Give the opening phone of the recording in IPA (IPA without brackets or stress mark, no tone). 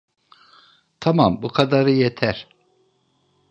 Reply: t̪ʰ